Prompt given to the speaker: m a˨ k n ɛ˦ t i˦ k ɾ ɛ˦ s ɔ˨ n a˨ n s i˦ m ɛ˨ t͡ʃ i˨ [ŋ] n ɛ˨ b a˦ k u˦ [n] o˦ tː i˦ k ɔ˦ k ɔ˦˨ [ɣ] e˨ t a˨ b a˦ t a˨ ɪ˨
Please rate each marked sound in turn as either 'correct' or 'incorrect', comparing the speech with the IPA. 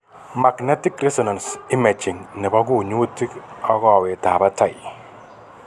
correct, incorrect: ɲ, incorrect: w

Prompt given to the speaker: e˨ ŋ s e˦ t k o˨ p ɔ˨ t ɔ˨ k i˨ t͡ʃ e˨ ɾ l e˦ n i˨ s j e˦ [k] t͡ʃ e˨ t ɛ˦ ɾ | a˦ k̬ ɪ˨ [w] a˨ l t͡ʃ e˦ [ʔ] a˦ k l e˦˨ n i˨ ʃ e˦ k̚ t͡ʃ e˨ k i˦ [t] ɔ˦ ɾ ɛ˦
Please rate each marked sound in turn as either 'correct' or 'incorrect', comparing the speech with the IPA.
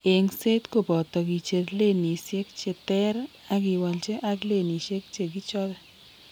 correct, correct, correct, incorrect: t͡ʃ

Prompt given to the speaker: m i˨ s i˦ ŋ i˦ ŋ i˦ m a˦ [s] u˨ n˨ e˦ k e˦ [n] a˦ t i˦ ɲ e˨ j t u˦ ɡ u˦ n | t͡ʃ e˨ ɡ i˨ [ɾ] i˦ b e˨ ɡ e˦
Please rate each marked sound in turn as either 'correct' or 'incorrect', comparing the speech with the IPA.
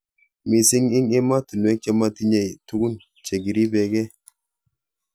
incorrect: t, incorrect: m, correct

